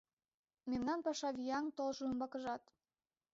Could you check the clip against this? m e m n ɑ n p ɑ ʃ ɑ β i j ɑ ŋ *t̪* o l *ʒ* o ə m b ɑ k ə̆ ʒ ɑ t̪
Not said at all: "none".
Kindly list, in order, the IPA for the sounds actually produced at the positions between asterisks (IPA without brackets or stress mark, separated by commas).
t̪, ʒ